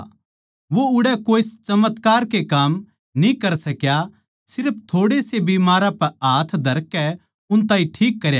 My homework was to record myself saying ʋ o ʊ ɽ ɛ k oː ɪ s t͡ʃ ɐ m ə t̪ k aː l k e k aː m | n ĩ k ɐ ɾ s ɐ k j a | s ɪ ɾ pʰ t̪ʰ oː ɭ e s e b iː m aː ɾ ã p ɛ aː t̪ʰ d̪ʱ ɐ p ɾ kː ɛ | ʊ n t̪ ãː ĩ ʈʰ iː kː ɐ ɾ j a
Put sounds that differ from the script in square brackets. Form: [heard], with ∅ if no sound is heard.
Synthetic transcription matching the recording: ʋ o ʊ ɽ ɛ k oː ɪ s t͡ʃ ɐ m ə t̪ k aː [ɾ] k e k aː m | n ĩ k ɐ ɾ s ɐ k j a | s ɪ ɾ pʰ t̪ʰ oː [ɽ] e s e b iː m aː ɾ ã p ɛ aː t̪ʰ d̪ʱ ɐ [∅] ɾ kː ɛ | ʊ n t̪ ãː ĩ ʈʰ iː kː ɐ ɾ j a